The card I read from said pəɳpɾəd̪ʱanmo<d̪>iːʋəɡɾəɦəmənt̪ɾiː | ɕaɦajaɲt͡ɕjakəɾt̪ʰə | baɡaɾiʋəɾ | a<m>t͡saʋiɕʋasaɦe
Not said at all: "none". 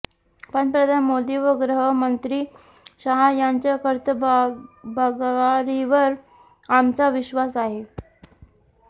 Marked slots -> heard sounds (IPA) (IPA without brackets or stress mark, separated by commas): d̪, m